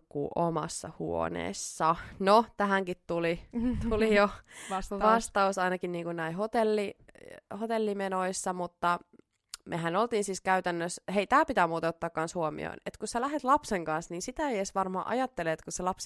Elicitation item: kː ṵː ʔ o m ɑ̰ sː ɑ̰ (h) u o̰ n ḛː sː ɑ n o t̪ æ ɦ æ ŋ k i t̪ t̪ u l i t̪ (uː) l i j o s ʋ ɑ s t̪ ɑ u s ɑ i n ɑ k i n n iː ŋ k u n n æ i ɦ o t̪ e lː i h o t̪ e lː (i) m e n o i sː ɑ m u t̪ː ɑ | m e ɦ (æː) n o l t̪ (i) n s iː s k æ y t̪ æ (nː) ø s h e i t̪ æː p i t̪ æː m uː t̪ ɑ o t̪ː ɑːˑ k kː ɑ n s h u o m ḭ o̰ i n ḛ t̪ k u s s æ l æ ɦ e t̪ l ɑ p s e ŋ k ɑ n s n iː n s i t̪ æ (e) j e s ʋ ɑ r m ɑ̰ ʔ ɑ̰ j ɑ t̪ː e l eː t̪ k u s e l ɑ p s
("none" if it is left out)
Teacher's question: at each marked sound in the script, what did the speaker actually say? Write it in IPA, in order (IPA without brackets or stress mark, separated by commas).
h, u, i, æ, iː, nː, e